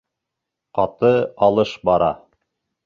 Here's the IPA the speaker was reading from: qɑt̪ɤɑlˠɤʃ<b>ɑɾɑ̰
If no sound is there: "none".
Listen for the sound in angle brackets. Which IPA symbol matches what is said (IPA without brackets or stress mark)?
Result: b